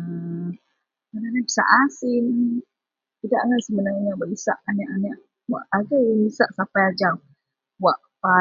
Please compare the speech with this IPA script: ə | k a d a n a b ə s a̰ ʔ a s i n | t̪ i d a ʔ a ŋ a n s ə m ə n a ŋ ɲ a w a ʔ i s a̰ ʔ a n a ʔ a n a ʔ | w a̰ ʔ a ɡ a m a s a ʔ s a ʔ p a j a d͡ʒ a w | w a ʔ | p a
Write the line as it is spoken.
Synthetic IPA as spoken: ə | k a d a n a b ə s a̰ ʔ a s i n | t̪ i d a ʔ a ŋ a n s ə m ə n a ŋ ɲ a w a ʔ i s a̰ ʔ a n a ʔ a n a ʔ | w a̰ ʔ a ɡ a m i s a ʔ s a p a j a d͡ʒ a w | w a ʔ | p a